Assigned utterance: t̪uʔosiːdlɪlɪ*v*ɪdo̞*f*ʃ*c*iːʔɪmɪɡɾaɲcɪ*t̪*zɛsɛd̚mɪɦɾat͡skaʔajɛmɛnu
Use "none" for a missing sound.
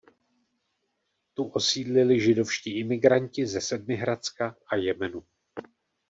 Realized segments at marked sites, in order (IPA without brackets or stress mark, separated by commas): ʒ, f, c, none